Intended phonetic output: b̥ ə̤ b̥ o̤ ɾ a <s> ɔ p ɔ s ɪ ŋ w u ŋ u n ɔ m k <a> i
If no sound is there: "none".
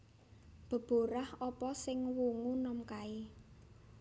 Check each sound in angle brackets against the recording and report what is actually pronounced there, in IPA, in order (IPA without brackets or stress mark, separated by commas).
h, a